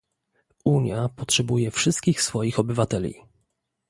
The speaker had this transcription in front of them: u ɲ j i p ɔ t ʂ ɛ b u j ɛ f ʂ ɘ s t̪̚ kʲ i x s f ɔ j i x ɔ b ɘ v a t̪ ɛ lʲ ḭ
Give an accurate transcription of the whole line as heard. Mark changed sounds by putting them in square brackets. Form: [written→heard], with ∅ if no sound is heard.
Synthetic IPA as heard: u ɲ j [i→a] p ɔ t ʂ ɛ b u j ɛ f ʂ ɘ s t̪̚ kʲ i x s f ɔ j i x ɔ b ɘ v a t̪ ɛ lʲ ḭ